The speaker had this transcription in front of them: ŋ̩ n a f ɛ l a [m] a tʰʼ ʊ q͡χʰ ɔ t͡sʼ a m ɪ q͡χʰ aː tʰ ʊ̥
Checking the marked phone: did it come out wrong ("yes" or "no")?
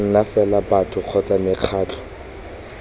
yes